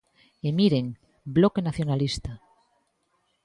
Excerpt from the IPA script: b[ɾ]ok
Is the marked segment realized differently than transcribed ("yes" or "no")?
yes